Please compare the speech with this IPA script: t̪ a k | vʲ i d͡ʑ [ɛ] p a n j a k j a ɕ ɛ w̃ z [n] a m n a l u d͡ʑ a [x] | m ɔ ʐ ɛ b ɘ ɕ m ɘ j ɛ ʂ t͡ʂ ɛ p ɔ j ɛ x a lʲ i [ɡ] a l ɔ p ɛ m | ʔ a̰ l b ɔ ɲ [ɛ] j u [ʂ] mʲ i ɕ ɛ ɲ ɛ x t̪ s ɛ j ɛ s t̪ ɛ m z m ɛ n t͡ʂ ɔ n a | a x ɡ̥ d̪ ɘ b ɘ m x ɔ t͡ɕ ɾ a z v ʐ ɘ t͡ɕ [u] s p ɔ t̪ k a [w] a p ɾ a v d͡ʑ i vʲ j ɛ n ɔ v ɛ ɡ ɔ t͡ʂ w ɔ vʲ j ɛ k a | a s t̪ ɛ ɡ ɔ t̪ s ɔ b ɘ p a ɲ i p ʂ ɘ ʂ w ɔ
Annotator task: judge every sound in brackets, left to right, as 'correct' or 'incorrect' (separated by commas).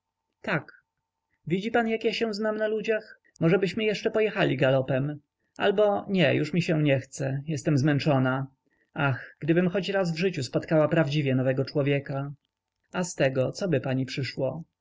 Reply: incorrect, correct, correct, correct, correct, correct, correct, correct